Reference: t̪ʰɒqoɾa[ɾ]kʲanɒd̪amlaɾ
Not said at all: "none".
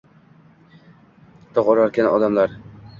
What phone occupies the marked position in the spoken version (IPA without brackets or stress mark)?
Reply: ɾ